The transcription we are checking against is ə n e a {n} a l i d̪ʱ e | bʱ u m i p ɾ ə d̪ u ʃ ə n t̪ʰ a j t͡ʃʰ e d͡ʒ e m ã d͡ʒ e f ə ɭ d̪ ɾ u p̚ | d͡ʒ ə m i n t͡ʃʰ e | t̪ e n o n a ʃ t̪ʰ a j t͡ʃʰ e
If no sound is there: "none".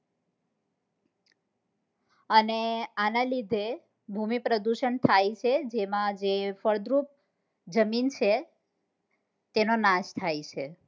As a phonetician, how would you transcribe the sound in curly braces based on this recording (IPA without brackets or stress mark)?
n